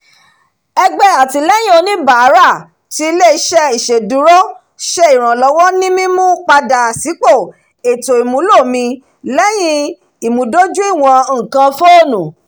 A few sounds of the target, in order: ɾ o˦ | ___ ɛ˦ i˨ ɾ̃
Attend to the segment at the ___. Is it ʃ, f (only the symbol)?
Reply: ʃ